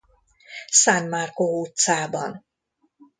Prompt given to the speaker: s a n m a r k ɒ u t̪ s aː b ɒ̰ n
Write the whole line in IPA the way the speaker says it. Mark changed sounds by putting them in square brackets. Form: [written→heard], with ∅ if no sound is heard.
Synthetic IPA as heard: s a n m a r k [ɒ→o] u t̪ s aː b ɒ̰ n